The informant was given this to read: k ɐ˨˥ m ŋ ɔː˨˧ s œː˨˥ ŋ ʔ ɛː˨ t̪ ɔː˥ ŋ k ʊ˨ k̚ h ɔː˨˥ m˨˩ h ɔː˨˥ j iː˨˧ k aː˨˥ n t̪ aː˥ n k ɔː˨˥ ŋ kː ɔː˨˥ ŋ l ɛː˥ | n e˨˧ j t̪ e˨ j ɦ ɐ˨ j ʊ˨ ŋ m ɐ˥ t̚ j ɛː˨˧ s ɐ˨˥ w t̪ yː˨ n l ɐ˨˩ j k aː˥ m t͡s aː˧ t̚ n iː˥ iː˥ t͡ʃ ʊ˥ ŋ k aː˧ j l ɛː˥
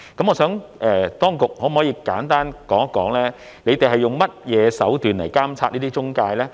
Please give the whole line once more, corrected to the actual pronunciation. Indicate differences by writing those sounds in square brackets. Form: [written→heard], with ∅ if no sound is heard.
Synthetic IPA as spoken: k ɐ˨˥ m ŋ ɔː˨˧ s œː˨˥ ŋ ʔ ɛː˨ t̪ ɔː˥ ŋ k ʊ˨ k̚ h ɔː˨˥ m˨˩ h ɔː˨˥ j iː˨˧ k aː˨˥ n t̪ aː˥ n k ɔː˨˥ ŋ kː ɔː˨˥ ŋ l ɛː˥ | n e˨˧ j t̪ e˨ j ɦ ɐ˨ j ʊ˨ ŋ m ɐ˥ t̚ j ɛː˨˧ s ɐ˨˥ w t̪ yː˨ n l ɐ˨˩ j k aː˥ m [t͡s→t͡sʰ] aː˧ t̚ n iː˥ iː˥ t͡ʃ ʊ˥ ŋ k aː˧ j l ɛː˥